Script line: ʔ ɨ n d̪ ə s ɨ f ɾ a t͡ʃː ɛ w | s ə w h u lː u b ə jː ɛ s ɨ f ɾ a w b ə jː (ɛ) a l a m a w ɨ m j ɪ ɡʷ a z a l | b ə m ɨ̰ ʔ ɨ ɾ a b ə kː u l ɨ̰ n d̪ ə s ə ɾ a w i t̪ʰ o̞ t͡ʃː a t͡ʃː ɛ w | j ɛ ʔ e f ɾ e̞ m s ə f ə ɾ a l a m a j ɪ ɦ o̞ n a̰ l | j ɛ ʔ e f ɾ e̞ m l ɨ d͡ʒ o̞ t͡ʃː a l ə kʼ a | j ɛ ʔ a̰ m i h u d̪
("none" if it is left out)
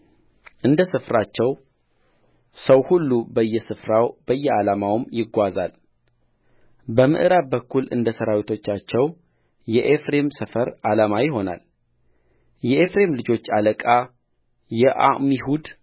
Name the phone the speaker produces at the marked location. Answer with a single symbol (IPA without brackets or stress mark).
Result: ɛ